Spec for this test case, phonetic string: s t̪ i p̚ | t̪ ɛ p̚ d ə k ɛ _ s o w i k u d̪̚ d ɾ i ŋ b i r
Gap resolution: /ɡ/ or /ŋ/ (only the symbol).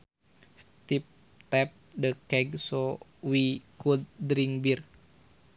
ɡ